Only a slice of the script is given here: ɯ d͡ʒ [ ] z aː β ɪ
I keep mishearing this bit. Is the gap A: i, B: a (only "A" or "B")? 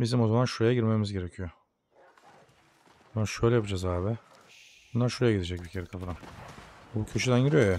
B